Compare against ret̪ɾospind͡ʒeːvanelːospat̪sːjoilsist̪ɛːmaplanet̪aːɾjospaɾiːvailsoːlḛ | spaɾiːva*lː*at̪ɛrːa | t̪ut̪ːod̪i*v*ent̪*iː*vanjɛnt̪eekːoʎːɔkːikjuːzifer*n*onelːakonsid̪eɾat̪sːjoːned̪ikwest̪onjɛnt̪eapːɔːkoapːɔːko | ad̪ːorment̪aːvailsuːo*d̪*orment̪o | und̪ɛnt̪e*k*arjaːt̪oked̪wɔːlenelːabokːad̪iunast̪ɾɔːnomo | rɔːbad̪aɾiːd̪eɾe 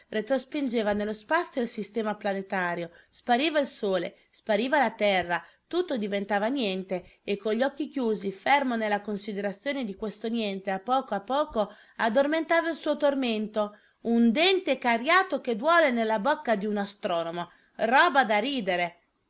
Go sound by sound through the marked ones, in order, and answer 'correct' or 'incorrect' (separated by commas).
incorrect, correct, incorrect, incorrect, incorrect, correct